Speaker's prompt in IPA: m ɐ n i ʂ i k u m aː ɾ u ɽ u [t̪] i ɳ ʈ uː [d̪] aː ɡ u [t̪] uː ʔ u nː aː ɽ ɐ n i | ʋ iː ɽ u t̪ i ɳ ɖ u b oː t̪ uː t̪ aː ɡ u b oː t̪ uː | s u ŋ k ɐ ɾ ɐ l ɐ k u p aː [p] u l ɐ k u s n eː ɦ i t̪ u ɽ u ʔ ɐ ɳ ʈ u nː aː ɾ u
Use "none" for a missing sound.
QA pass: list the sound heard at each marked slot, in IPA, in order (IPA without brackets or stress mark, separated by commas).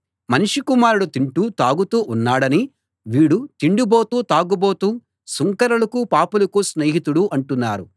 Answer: t̪, t̪, t̪, p